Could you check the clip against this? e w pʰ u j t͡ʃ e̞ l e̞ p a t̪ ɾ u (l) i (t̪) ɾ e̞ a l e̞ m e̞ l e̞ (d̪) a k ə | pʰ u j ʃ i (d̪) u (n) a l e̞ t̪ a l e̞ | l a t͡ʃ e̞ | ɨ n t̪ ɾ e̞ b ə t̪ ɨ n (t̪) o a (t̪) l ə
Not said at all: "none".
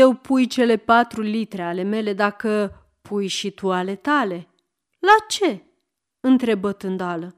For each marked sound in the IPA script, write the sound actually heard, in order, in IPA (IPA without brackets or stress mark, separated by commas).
l, t̪, d̪, t̪, none, d̪, none